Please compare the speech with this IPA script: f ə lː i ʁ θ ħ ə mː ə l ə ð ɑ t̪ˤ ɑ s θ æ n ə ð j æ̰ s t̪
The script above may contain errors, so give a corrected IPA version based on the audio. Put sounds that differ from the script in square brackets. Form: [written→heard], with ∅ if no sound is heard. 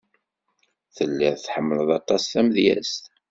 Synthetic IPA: [f→θ] ə lː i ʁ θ ħ ə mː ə l ə ð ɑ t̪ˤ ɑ s θ æ [n→m] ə ð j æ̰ s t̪